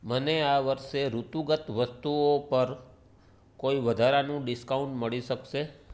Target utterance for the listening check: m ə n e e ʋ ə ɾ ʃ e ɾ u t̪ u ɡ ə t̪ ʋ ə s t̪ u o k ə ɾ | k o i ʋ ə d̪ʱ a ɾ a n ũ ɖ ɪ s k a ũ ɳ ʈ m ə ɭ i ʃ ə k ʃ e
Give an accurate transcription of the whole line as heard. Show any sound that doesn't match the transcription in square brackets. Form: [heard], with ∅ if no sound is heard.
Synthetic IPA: m ə n e [a] ʋ ə ɾ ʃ e ɾ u t̪ u ɡ ə t̪ ʋ ə s t̪ u o [p] ə ɾ | k o i ʋ ə d̪ʱ a ɾ a n ũ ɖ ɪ s k a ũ ɳ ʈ m ə ɭ i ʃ ə k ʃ e